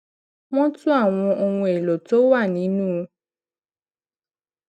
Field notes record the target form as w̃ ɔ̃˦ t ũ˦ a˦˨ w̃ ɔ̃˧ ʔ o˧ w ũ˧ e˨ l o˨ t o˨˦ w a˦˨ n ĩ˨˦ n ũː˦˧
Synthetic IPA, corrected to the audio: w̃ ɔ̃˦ t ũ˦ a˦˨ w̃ ɔ̃˧ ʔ o˧ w ũ˧ e˨ l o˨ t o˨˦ w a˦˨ n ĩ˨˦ n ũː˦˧